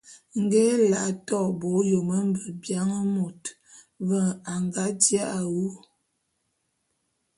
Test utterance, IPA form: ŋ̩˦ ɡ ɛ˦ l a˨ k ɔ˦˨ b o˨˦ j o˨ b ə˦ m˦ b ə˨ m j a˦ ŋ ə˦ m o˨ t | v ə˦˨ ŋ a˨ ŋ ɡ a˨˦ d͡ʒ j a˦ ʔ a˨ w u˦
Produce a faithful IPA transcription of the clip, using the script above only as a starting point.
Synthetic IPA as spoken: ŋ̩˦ ɡ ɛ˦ l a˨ t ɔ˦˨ b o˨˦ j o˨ m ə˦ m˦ b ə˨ b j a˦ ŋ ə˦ m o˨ t | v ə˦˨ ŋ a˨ ŋ ɡ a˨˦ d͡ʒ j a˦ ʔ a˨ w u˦

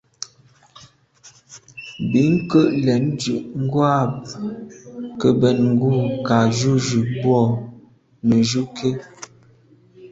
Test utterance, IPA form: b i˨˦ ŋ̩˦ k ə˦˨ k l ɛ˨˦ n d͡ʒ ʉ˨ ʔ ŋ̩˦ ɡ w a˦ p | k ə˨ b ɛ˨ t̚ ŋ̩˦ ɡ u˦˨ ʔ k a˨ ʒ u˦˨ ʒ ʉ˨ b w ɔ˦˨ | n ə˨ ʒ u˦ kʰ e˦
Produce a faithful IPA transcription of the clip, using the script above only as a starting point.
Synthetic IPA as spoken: b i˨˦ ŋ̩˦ k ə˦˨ ʔ l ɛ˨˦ n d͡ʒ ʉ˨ ʔ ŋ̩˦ ɡ w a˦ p | k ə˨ b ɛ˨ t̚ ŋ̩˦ ɡ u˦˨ k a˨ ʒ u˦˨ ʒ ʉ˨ b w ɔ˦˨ | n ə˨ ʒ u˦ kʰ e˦

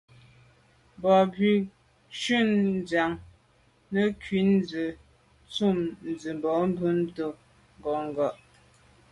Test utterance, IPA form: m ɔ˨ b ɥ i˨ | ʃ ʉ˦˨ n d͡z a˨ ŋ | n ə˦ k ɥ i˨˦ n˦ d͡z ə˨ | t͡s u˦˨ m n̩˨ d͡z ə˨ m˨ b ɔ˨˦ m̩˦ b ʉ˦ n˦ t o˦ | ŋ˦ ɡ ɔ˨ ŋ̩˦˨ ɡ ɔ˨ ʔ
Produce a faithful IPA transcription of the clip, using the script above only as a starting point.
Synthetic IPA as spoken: b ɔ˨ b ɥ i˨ | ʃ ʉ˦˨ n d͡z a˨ ŋ | n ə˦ k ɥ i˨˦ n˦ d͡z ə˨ | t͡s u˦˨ m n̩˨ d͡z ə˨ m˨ b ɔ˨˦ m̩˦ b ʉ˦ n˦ t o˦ | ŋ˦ ɡ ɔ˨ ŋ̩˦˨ ɡ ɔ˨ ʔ

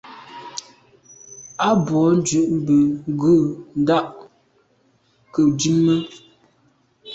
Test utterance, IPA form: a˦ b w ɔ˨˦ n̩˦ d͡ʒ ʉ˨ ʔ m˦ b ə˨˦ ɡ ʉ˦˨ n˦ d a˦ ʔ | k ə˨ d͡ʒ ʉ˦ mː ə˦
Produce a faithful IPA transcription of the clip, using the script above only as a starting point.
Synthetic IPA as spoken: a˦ b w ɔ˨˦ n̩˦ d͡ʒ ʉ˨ ʔ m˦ b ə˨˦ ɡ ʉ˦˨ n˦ d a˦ ʔ | k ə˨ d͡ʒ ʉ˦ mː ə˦

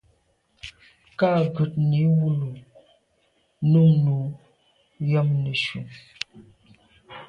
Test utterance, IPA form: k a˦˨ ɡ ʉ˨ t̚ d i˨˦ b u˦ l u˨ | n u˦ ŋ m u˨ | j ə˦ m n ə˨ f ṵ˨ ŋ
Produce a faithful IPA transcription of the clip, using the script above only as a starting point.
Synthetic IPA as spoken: k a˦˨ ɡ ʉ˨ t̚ n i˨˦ w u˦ l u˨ | n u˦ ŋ n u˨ | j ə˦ m n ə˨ ʃ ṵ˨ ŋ

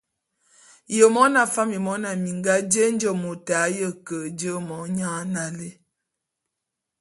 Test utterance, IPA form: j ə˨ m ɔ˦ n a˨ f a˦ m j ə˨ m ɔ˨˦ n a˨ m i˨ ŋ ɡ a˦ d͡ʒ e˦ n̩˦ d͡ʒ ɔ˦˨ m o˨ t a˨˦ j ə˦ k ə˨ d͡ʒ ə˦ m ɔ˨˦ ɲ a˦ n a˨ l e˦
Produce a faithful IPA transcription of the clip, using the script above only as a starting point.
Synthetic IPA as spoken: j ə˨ m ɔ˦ n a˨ f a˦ m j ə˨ m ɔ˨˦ n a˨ m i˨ ŋ ɡ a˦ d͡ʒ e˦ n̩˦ d͡ʒ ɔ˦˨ m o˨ t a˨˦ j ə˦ k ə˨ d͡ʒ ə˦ m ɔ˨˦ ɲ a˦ n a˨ l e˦

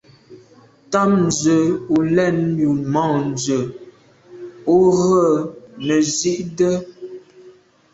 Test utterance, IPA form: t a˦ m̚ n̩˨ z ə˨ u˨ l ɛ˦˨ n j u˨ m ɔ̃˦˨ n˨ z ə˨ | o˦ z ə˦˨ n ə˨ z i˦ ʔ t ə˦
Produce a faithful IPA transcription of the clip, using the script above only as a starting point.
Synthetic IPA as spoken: t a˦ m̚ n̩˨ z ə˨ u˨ l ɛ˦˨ n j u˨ m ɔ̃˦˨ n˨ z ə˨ | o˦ ɣ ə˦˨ n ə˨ z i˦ ʔ d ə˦

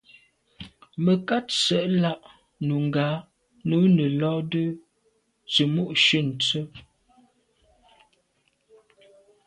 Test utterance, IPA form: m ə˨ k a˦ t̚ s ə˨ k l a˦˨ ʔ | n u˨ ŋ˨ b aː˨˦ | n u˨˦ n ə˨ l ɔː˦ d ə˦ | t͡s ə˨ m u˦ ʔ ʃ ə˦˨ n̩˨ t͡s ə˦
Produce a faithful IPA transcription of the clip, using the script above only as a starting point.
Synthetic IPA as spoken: m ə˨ k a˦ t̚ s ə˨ ʔ l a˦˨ ʔ | n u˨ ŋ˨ ɡ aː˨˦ | n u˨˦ n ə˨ l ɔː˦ d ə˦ | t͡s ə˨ m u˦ ʔ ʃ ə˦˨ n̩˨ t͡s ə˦

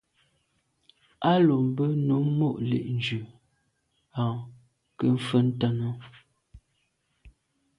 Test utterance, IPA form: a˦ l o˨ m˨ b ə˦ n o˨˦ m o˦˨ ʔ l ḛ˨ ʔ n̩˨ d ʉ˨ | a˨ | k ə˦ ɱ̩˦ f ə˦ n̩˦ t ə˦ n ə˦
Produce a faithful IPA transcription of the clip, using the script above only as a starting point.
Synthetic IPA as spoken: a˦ l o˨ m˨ b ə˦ n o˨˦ m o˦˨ ʔ l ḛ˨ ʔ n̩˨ d͡ʒ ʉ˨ | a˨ | k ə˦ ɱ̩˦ f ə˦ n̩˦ t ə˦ n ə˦

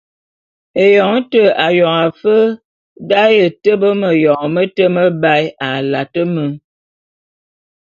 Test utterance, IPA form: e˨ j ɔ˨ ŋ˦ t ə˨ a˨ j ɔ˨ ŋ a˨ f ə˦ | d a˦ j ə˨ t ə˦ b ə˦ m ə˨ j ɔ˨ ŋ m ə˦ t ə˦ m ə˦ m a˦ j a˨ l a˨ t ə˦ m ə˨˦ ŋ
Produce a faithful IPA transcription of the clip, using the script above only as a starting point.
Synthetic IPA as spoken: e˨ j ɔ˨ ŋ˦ t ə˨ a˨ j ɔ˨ ŋ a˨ f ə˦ | d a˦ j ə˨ t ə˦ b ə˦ m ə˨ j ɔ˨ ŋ m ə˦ t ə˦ m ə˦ b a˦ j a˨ l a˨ t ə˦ m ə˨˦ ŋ

